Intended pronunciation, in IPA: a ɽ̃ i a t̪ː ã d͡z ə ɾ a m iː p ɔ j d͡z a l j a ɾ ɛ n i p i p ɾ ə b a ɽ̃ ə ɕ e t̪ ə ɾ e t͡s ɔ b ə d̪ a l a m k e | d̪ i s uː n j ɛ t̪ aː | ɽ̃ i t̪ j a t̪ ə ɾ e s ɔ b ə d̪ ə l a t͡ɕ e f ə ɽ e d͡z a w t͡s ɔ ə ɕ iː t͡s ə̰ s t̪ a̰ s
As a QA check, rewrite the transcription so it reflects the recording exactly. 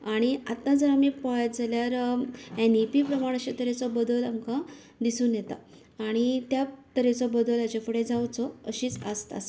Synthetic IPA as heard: a ɽ̃ i a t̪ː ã d͡z ə ɾ a m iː p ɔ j d͡z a l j a ɾ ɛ n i p i p ɾ ə m a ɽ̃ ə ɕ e t̪ ə ɾ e t͡s ɔ b ə d̪ ə l a m k a | d̪ i s uː n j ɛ t̪ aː | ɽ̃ i t̪ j a t̪ ə ɾ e t͡s ɔ b ə d̪ ə l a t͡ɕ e f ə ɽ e d͡z a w t͡s ɔ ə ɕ iː t͡s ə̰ s t̪ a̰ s